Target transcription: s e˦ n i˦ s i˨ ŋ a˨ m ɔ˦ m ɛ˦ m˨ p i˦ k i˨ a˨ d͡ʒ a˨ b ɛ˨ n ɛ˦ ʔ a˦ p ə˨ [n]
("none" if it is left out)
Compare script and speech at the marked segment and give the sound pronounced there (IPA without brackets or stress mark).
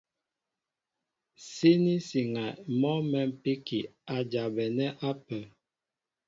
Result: none